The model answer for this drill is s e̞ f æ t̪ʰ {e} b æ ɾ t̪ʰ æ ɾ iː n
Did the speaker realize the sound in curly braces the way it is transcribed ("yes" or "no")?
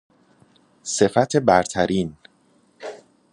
yes